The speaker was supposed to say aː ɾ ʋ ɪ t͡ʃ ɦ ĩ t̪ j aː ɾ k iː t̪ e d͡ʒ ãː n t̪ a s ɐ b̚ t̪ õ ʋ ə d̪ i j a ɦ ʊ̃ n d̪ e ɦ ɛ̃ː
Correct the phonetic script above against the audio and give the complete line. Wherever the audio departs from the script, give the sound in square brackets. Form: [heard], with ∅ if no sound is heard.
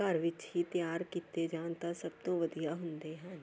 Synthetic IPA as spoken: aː ɾ ʋ ɪ t͡ʃ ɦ [i] t̪ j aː ɾ k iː t̪ e d͡ʒ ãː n t̪ a s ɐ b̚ t̪ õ ʋ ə d̪ i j a ɦ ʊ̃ n d̪ e ɦ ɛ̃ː